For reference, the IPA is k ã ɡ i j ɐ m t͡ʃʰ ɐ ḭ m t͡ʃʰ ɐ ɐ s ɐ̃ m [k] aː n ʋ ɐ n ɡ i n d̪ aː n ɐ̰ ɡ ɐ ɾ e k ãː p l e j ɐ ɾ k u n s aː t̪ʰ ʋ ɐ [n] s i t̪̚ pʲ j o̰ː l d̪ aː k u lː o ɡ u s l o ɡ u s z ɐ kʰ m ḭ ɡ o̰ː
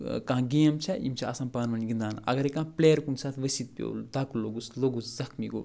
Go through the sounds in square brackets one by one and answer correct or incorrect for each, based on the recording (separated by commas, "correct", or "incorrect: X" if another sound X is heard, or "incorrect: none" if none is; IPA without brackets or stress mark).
incorrect: p, incorrect: none